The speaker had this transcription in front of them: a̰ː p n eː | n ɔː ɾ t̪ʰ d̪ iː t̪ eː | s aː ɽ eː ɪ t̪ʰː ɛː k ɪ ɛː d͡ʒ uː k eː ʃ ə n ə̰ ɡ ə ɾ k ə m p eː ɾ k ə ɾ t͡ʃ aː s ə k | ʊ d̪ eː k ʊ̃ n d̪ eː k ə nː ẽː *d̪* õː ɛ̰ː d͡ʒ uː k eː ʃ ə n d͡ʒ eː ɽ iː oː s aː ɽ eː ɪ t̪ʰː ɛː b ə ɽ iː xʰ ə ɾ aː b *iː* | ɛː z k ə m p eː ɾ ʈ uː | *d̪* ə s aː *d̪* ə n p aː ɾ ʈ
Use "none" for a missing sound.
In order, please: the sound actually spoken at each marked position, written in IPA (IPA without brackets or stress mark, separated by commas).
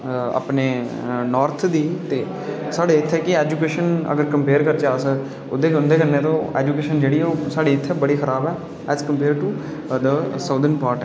t̪, ɛː, d̪, d̪